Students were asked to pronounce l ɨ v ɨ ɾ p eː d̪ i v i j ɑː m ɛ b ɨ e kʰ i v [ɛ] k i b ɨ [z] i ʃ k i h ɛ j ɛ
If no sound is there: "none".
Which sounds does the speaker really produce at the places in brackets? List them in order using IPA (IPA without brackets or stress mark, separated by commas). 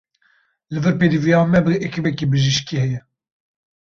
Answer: ɛ, ʒ